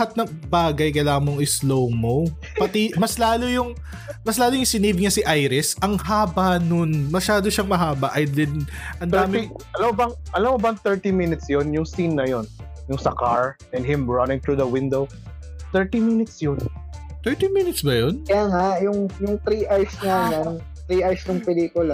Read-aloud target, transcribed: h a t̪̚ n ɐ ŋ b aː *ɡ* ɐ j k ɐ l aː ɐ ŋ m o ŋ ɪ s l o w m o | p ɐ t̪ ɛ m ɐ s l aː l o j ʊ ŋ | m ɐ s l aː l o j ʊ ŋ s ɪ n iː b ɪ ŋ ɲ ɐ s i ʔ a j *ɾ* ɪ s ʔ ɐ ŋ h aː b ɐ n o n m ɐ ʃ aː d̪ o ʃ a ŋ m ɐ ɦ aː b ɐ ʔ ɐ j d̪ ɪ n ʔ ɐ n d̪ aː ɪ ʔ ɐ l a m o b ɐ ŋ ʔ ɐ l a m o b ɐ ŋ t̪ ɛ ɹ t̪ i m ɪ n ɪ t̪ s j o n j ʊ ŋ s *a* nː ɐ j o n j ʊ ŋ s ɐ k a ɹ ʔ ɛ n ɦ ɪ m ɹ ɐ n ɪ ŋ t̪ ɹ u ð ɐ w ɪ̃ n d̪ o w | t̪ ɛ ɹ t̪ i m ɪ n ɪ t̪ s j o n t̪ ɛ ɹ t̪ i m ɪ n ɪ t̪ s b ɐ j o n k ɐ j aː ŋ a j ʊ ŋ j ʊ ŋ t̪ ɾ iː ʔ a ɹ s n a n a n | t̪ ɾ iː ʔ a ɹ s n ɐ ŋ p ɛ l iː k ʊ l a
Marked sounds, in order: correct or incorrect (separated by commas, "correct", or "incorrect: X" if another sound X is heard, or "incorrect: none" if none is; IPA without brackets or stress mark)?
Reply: correct, correct, incorrect: i